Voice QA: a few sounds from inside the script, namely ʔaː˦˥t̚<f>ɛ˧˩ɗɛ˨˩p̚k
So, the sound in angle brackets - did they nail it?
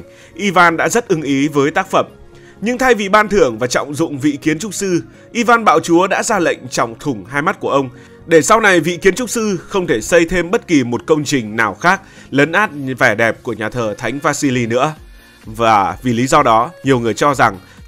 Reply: no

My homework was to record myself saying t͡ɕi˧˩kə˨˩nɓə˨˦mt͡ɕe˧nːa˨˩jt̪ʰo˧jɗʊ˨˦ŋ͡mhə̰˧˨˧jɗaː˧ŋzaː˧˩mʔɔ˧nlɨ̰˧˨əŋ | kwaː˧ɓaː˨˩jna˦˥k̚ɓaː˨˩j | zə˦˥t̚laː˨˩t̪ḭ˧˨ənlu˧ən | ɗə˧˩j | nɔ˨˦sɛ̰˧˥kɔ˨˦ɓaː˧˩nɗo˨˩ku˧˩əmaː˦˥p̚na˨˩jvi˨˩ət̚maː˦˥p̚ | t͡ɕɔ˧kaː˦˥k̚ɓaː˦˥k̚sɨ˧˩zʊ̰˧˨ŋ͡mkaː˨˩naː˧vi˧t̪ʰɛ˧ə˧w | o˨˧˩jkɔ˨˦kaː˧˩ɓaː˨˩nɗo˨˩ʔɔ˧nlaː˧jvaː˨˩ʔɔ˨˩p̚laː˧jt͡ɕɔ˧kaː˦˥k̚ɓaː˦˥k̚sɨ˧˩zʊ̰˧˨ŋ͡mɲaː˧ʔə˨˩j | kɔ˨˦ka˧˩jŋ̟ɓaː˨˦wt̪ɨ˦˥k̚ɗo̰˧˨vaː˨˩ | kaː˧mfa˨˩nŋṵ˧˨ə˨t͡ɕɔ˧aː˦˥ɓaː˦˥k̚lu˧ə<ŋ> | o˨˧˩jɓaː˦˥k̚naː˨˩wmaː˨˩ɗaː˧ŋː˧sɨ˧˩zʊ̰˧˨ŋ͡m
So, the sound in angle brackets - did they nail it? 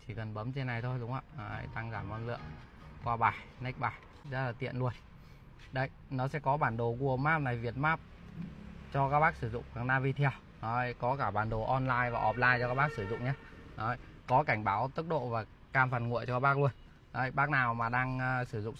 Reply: no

